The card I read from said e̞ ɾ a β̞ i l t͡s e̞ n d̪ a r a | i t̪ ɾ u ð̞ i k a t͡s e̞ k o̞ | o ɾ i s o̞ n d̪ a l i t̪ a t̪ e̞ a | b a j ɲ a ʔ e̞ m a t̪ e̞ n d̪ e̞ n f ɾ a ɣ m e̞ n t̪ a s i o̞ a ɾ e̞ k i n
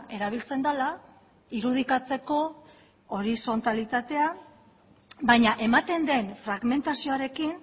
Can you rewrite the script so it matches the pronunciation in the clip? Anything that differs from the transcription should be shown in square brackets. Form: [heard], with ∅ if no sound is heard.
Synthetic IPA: e̞ ɾ a β̞ i l t͡s e̞ n d̪ a [l] a | i [∅] ɾ u ð̞ i k a t͡s e̞ k o̞ | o ɾ i s o̞ n [t̪] a l i t̪ a t̪ e̞ a | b a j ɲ a ʔ e̞ m a t̪ e̞ n d̪ e̞ n f ɾ a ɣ m e̞ n t̪ a s i o̞ a ɾ e̞ k i n